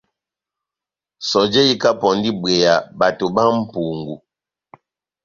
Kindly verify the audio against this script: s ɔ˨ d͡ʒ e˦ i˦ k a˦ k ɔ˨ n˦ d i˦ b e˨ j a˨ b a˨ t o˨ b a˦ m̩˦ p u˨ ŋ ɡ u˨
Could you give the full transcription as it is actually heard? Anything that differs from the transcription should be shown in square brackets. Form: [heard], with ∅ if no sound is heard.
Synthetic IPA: s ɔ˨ d͡ʒ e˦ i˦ k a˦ [p] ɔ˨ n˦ d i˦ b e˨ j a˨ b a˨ t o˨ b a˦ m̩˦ p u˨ ŋ ɡ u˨